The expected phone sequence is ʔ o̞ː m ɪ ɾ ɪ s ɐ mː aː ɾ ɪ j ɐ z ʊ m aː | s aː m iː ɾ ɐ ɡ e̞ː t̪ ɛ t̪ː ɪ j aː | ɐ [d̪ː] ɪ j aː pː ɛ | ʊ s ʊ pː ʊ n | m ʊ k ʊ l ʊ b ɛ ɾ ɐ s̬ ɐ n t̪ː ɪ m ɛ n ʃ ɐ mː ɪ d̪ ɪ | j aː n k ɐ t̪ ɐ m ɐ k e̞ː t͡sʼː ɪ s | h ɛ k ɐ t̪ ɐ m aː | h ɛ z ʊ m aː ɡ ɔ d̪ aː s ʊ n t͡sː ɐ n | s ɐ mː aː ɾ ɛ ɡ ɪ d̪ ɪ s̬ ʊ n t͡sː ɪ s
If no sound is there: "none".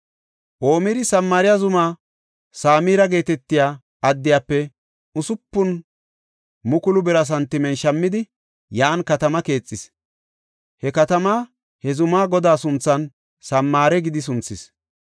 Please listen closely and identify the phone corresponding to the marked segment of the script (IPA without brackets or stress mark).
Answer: d̪ː